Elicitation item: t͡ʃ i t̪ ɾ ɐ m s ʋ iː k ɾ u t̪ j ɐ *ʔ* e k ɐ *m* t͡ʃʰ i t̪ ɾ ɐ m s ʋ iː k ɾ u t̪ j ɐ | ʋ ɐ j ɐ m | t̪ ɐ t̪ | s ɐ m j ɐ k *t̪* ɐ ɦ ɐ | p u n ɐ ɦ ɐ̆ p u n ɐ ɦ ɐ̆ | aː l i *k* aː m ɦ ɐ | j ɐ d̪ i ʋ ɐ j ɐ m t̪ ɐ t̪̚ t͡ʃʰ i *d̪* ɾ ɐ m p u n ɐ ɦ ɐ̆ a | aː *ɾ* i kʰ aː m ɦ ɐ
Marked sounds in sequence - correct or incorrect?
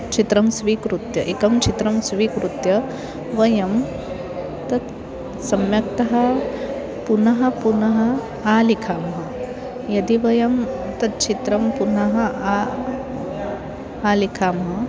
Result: correct, correct, correct, incorrect, incorrect, incorrect

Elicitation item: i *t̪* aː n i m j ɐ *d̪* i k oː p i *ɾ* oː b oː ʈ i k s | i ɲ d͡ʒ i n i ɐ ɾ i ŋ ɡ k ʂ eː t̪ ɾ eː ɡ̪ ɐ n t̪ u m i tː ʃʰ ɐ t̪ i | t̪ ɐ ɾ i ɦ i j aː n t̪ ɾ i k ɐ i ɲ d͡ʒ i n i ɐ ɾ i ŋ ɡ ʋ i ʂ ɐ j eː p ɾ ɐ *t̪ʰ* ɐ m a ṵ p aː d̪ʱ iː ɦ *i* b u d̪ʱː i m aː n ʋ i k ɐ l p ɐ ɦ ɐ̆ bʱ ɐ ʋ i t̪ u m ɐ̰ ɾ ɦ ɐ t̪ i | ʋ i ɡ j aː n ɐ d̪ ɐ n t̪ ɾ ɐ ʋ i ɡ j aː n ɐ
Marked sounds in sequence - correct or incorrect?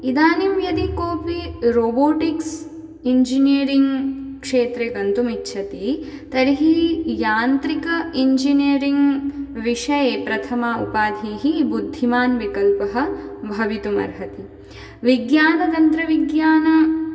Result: incorrect, correct, correct, correct, correct

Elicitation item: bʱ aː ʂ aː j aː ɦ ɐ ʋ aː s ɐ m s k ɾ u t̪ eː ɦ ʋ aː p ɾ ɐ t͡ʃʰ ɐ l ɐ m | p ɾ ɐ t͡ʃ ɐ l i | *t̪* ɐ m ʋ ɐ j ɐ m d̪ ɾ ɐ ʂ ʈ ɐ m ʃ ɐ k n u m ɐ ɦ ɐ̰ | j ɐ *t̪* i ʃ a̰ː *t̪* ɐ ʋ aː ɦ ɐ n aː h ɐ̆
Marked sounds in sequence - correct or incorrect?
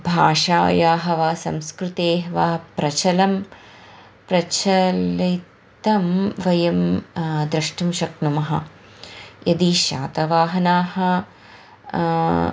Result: correct, incorrect, correct

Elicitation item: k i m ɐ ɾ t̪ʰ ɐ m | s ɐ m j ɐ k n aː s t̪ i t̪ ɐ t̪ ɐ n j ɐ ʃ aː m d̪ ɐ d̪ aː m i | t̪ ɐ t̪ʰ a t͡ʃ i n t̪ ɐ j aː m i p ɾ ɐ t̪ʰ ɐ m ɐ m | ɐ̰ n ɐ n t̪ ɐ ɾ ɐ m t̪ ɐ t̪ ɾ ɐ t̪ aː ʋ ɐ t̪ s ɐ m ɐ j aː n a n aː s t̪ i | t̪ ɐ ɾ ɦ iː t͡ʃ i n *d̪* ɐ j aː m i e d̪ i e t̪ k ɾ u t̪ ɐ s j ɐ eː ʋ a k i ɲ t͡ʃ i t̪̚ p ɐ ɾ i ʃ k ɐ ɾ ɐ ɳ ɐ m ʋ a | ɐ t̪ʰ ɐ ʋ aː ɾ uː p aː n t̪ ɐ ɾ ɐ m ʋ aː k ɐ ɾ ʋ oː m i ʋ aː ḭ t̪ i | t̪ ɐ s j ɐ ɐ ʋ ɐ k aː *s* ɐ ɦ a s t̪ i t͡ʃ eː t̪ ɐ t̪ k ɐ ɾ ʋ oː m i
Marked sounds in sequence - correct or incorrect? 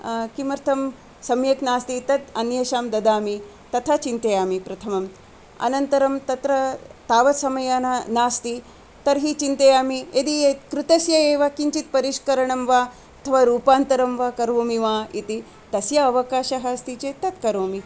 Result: incorrect, incorrect

